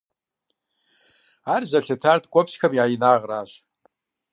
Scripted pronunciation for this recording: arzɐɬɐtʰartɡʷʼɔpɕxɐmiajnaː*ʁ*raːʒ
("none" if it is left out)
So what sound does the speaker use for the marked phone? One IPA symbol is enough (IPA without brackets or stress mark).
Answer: ʁ